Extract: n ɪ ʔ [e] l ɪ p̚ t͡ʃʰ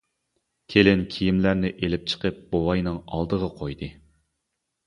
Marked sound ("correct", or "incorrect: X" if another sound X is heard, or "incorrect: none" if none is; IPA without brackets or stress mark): correct